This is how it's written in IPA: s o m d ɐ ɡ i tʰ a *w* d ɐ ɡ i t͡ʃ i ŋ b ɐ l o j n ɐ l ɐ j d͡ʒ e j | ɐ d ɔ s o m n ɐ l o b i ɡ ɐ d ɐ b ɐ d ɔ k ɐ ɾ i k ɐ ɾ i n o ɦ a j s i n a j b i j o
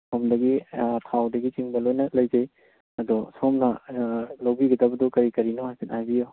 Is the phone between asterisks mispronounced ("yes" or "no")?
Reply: no